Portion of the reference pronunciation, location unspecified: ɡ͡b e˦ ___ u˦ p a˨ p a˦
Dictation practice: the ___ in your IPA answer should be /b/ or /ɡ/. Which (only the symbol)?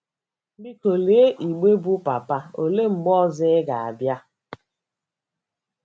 b